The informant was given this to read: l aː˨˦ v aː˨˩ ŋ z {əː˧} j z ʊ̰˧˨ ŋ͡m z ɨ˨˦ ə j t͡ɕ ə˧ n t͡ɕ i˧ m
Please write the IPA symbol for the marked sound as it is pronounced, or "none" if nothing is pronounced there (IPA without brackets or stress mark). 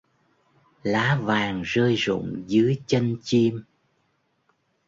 əː˧